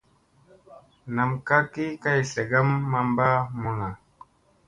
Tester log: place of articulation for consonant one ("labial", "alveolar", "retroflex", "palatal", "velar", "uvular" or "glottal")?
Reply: alveolar